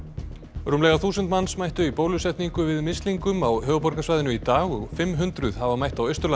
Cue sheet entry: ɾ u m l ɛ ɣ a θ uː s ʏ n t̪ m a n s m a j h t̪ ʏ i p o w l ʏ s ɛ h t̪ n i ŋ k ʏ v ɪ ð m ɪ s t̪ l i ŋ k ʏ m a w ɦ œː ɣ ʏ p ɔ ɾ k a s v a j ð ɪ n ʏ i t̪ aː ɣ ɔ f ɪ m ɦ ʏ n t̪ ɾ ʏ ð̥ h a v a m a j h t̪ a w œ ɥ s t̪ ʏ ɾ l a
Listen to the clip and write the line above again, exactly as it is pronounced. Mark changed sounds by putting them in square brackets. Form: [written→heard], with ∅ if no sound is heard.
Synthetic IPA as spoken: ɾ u m l ɛ ɣ a θ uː s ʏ n t̪ m a n s m a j h t̪ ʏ i p o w l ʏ s ɛ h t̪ n i ŋ k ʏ v ɪ ð m ɪ s t̪ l i ŋ k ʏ m a w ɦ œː ɣ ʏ p ɔ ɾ k a s v a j ð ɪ n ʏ i t̪ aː ɣ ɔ f ɪ m ɦ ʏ n t̪ ɾ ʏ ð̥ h a v a m a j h t̪ a w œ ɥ s t̪ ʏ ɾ l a